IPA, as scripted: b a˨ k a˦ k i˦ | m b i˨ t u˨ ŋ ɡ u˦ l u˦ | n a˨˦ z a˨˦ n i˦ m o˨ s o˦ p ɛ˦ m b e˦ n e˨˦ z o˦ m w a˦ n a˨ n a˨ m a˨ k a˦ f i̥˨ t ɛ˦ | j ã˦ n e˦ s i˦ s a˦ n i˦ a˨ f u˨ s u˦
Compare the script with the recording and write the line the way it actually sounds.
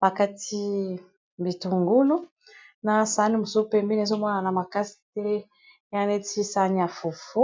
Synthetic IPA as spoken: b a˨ k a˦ t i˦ | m b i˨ t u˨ ŋ ɡ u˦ l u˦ | n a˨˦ s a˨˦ n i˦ m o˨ s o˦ p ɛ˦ m b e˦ n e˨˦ z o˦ m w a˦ n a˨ n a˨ m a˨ k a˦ s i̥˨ t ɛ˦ | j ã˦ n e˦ t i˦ s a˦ n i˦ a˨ f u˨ f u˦